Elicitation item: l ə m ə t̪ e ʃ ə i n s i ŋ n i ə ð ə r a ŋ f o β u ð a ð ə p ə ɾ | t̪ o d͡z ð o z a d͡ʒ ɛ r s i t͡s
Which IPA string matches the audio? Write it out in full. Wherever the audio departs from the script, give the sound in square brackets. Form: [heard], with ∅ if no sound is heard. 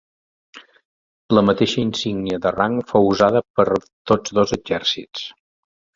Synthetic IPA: l ə m ə t̪ e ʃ ə i n s i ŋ n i ə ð ə r a ŋ f o [w] u [z] a ð ə p ə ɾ | t̪ o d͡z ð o z [ə] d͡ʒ ɛ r s i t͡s